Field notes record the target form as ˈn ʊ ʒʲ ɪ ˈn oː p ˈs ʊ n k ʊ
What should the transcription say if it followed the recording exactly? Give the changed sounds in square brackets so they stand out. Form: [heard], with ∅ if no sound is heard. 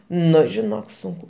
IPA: ˈn ʊ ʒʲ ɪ ˈn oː [k] ˈs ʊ [ŋ] k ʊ

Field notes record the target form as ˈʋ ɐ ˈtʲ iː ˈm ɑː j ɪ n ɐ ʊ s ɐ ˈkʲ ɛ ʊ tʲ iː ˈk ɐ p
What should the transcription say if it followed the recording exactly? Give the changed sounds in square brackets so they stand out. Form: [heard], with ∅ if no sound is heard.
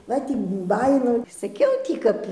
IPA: ˈʋ ɐ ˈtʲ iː [ˈb] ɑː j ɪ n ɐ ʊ s ɐ ˈkʲ ɛ ʊ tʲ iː ˈk ɐ p

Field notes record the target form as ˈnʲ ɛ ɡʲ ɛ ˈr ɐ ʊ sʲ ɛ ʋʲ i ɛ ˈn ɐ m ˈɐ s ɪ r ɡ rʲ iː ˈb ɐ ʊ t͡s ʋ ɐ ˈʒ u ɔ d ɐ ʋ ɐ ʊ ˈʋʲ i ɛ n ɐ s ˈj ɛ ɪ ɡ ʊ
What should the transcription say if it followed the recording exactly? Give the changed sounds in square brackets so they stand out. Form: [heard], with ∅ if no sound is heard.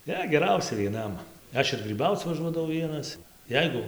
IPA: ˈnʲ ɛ ɡʲ ɛ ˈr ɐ ʊ sʲ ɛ ʋʲ i ɛ ˈn ɐ m ˈɐ [ʃ] ɪ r ɡ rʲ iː ˈb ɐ ʊ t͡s ʋ ɐ ˈʒ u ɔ d ɐ ʋ ɐ ʊ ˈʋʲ i ɛ n ɐ s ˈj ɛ ɪ ɡ ʊ

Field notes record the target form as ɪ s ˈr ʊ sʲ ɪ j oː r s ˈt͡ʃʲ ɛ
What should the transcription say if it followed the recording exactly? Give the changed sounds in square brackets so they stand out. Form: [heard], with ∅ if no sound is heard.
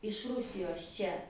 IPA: ɪ [ʃ] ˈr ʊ sʲ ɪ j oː [∅] s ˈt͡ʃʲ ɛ

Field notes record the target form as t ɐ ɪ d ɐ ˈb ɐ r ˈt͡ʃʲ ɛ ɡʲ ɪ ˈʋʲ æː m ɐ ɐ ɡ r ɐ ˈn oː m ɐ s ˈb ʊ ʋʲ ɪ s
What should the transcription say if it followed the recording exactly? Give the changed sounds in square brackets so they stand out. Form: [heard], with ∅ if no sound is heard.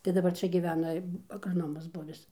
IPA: t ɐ ɪ d ɐ ˈb ɐ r ˈt͡ʃʲ ɛ ɡʲ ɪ ˈʋʲ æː [n] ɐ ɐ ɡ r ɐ ˈn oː m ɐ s ˈb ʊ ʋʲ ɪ s

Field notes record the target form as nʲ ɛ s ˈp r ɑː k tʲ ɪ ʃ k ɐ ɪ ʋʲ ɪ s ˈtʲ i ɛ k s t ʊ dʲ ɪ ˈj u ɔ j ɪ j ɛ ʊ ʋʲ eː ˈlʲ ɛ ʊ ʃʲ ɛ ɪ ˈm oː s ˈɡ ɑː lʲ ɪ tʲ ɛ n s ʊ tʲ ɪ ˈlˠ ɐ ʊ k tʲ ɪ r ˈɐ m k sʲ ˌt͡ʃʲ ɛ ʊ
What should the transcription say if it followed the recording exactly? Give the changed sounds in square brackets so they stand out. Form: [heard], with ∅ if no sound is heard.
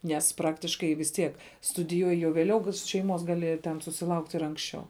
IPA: nʲ ɛ s ˈp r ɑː k tʲ ɪ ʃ k ɐ ɪ ʋʲ ɪ s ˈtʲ i ɛ k s t ʊ dʲ ɪ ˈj u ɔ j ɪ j ɛ ʊ ʋʲ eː ˈlʲ ɛ ʊ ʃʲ ɛ ɪ ˈm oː s ˈɡ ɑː lʲ ɪ tʲ ɛ n s ʊ [sʲ] ɪ ˈlˠ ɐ ʊ k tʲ ɪ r ˈɐ [ŋ] k sʲ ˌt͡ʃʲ ɛ ʊ

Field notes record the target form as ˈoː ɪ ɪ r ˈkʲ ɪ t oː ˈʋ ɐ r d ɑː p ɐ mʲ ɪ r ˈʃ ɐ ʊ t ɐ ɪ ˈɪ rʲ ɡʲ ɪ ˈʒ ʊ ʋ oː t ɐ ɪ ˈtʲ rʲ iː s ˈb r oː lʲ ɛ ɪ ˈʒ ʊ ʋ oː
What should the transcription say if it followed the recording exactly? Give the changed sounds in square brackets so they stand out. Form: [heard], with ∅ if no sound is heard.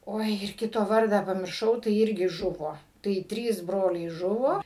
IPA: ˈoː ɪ ɪ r ˈkʲ ɪ t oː ˈʋ ɐ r d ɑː p ɐ mʲ ɪ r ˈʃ ɐ ʊ t ɐ ɪ ˈɪ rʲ ɡʲ ɪ ˈʒ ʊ ʋ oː t ɐ ɪ ˈtʲ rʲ iː s ˈb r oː lʲ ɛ ɪ ˈʒ ʊ ʋ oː

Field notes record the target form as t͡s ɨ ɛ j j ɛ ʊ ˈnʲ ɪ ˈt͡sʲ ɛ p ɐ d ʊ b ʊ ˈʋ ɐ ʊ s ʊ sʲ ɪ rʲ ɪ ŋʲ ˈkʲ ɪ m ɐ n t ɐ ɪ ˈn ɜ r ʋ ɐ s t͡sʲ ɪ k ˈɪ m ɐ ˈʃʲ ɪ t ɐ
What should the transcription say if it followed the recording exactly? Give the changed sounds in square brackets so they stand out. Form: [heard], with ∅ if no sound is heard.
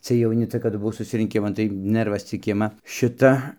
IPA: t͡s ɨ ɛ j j ɛ ʊ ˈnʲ ɪ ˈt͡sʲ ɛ [k] ɐ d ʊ b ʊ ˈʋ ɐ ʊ s ʊ sʲ ɪ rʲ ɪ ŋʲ ˈkʲ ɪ m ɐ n t ɐ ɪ ˈn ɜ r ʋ ɐ s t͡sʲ ɪ k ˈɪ m ɐ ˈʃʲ ɪ t ɐ

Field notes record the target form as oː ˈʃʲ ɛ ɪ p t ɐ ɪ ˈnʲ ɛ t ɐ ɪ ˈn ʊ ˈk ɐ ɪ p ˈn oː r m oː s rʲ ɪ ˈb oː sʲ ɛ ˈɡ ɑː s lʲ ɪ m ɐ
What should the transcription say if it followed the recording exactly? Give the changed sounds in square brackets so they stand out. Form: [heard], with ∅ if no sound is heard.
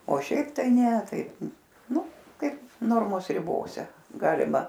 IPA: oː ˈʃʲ ɛ ɪ p t ɐ ɪ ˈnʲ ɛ t ɐ ɪ ˈn ʊ ˈk ɐ ɪ p ˈn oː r m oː s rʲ ɪ ˈb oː sʲ ɛ ˈɡ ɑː [∅] lʲ ɪ m ɐ

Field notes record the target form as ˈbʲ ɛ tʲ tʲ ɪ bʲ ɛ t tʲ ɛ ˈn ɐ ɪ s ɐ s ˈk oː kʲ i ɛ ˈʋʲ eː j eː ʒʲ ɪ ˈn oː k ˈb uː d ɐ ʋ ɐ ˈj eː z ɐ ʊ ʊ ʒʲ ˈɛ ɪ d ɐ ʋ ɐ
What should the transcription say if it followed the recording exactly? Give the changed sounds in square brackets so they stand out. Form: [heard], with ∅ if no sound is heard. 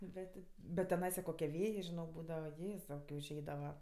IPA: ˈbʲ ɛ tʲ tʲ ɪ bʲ ɛ t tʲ ɛ ˈn ɐ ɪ s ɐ [∅] ˈk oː kʲ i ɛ ˈʋʲ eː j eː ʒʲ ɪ ˈn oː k ˈb uː d ɐ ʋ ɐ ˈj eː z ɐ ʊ ʊ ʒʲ ˈɛ ɪ d ɐ ʋ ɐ

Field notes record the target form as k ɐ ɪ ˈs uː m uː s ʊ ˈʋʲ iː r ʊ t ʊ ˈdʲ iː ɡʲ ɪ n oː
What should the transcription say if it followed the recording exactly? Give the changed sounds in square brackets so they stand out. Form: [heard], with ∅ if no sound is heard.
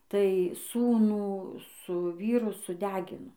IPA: [t] ɐ ɪ ˈs uː [n] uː s ʊ ˈʋʲ iː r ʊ [s] ʊ ˈdʲ [æː] ɡʲ ɪ n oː

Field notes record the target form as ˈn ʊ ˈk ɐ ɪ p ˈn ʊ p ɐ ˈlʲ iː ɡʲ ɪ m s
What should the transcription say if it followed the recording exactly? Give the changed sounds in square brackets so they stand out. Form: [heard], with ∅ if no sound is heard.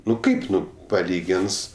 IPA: ˈn ʊ ˈk ɐ ɪ p ˈn ʊ p ɐ ˈlʲ iː ɡʲ ɪ [n] s

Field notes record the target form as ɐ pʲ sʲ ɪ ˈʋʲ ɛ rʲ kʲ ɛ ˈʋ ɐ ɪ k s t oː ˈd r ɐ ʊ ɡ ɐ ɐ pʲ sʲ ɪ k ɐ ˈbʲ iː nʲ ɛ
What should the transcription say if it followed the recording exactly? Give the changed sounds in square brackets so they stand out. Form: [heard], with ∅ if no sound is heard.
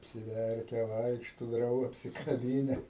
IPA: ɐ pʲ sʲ ɪ ˈʋʲ ɛ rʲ kʲ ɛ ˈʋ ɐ ɪ k [ʃ] t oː ˈd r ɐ ʊ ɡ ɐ ɐ pʲ sʲ ɪ k ɐ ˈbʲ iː nʲ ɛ

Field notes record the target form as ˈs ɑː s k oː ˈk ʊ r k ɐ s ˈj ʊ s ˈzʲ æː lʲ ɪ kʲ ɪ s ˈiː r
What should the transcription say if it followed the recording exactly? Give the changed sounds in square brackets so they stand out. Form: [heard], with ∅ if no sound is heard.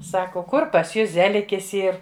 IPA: ˈs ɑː [∅] k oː ˈk ʊ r [p] ɐ s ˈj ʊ s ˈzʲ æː lʲ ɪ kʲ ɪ s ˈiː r

